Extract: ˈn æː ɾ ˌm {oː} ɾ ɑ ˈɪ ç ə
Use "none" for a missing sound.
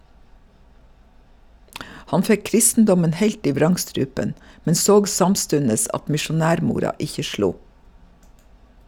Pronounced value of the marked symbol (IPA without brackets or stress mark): uː